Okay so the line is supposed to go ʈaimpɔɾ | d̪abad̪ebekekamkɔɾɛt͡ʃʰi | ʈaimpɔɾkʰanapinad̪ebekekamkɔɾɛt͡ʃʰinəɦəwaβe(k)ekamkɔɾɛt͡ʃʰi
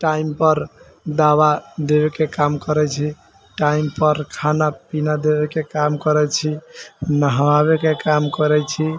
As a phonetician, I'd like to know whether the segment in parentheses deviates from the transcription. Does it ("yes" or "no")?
no